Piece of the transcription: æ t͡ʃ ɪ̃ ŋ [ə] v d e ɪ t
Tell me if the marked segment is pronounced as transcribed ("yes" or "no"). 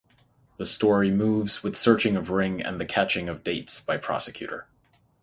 no